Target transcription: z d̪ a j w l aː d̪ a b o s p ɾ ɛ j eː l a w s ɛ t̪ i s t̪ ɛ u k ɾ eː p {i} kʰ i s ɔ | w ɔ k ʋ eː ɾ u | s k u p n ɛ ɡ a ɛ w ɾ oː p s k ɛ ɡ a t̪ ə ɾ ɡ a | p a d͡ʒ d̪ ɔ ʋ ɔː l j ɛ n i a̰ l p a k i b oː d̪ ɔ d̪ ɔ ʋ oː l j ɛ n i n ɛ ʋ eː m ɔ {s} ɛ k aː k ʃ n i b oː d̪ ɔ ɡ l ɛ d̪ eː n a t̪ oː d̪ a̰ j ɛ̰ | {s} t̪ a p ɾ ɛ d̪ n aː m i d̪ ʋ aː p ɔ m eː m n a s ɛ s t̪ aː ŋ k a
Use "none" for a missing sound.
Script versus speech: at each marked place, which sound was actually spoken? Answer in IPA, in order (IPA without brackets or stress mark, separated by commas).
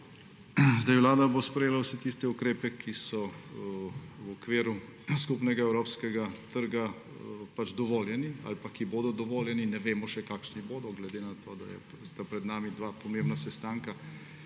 ɛ, ʃ, s